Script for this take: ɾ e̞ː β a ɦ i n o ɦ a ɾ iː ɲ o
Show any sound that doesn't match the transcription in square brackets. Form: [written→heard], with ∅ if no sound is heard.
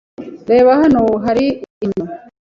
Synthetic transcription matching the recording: ɾ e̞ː β a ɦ [i→a] n o ɦ a ɾ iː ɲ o